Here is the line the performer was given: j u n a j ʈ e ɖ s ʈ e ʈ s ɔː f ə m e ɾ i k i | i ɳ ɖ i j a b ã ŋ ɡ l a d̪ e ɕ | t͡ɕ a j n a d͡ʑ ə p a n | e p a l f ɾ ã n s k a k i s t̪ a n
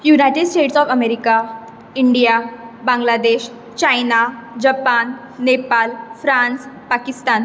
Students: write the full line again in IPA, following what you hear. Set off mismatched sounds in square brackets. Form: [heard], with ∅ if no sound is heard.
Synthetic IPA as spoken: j u n a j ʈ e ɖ s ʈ e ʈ s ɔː f ə m e ɾ i k [a] | i ɳ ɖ i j a b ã ŋ ɡ l a d̪ e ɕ | t͡ɕ a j n a d͡ʑ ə p a [nː] | e p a l f ɾ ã n s [p] a k i s t̪ a n